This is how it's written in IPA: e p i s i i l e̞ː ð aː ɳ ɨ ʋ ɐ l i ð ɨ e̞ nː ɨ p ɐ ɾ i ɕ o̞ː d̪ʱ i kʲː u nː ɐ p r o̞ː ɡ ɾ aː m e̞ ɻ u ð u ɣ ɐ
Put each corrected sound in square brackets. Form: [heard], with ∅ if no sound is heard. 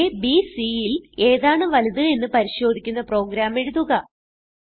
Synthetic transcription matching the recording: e [b] i s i i l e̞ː ð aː ɳ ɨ ʋ ɐ l i ð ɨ e̞ nː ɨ p ɐ ɾ i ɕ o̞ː d̪ʱ i kʲː u nː ɐ p r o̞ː ɡ ɾ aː m e̞ ɻ u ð u ɣ ɐ